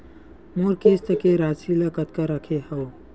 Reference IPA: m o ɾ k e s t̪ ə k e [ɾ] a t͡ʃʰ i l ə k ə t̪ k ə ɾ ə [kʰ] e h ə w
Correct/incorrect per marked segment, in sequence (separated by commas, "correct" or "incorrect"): correct, correct